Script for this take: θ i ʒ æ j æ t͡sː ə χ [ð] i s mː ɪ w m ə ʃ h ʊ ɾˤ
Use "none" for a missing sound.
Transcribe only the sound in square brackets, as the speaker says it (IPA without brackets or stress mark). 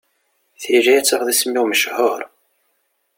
ð